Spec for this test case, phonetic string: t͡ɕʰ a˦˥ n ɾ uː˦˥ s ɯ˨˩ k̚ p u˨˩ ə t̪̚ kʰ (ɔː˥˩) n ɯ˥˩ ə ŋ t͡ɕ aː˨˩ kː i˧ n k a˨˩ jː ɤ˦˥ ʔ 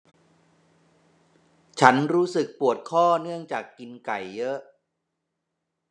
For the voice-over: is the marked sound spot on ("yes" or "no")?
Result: yes